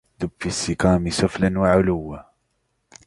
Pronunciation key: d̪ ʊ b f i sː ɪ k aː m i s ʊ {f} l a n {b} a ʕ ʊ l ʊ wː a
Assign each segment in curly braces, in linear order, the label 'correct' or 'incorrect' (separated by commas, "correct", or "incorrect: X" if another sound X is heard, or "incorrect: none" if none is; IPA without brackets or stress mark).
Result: correct, incorrect: w